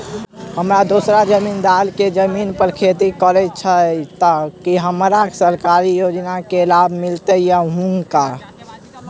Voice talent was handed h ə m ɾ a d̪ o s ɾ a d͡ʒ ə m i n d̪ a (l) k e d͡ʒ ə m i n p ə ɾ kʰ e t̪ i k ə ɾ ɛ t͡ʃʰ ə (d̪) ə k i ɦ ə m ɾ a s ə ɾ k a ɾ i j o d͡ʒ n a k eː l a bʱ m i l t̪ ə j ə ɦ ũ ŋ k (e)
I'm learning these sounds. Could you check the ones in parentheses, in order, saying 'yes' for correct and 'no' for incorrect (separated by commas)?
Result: yes, no, no